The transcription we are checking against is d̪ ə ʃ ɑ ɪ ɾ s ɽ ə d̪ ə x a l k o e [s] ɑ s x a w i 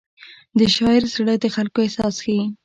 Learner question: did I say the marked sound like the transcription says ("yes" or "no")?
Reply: yes